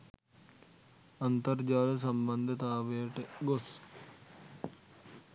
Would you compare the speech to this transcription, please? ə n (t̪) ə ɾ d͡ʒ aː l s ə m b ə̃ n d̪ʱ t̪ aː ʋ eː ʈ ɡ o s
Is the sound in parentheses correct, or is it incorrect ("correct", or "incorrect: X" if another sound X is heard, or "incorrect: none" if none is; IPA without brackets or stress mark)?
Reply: correct